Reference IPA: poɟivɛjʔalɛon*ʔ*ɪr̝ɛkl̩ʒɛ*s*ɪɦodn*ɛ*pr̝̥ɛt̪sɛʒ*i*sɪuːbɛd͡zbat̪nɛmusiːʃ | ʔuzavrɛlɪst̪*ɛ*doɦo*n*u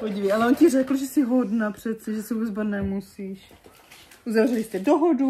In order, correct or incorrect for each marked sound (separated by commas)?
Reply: incorrect, correct, incorrect, incorrect, correct, incorrect